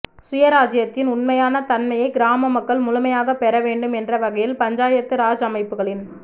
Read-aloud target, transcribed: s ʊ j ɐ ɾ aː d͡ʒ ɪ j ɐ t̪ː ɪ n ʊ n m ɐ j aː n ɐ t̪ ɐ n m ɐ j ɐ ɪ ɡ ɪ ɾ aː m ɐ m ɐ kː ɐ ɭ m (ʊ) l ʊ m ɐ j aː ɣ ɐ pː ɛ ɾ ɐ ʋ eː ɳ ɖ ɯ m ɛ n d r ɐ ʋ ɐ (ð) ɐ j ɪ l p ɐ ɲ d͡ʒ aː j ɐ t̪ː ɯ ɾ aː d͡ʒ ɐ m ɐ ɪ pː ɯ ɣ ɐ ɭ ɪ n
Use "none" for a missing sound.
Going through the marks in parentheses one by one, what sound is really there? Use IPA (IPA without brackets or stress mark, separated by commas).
ʊ, ɣ